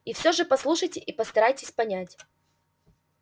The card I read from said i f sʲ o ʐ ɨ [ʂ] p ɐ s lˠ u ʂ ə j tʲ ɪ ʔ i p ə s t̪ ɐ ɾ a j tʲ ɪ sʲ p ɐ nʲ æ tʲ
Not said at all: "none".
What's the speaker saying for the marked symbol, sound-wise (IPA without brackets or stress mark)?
none